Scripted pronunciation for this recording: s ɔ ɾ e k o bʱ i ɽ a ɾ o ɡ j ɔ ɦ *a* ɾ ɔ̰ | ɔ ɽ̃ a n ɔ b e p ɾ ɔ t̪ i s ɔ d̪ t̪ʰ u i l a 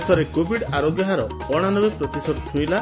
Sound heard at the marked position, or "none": a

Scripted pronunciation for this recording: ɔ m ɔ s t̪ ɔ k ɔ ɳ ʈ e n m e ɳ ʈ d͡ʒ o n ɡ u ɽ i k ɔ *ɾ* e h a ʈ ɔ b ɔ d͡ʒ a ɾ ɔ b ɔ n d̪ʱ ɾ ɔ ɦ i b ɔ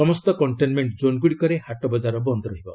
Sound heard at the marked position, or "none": ɾ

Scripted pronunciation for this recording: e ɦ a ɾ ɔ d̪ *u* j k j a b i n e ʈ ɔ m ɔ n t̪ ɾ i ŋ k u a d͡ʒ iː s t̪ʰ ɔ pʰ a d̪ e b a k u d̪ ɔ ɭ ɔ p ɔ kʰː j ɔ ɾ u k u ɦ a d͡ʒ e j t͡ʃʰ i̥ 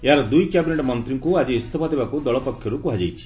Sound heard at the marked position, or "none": u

